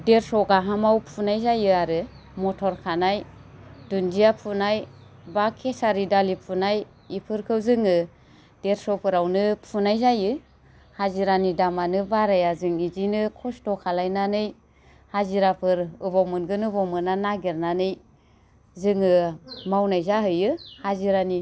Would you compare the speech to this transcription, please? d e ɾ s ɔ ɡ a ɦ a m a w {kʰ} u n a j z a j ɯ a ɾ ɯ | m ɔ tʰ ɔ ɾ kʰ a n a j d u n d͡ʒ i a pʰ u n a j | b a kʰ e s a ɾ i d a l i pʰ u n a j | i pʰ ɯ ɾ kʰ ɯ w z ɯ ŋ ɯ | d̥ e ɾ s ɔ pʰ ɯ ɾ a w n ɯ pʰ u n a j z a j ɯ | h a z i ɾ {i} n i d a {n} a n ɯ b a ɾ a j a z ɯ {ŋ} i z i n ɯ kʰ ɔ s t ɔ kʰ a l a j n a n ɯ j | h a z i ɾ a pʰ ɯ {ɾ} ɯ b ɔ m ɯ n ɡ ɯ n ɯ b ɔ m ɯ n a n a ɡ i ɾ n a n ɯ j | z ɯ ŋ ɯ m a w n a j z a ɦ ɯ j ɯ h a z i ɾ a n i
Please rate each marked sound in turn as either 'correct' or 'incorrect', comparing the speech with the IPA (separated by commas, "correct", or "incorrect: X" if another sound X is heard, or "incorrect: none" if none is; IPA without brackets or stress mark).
incorrect: pʰ, incorrect: a, incorrect: m, correct, correct